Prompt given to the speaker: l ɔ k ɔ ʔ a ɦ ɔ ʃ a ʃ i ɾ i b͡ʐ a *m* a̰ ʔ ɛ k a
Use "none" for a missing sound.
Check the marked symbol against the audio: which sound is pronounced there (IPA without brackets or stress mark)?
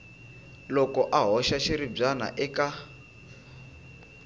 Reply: n